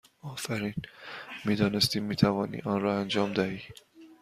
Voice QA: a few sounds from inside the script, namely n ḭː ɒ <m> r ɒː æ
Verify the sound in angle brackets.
incorrect: n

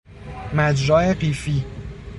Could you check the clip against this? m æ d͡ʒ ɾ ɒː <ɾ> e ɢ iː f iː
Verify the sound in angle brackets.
incorrect: none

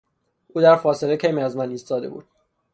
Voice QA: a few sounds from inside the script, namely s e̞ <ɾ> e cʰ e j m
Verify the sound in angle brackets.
incorrect: l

